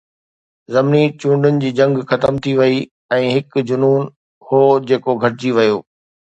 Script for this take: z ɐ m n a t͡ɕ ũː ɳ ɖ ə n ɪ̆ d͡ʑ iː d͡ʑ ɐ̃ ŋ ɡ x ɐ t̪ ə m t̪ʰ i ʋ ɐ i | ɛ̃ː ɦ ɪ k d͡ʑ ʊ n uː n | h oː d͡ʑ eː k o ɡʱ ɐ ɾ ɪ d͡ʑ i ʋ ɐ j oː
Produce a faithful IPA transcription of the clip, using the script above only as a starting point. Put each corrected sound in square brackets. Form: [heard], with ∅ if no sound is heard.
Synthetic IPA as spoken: z ɐ m n [i] t͡ɕ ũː ɳ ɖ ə n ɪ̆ d͡ʑ iː d͡ʑ ɐ̃ ŋ ɡ x ɐ t̪ ə m t̪ʰ i ʋ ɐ i | ɛ̃ː ɦ ɪ k d͡ʑ ʊ n uː n | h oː d͡ʑ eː k o ɡʱ ɐ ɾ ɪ d͡ʑ i ʋ ɐ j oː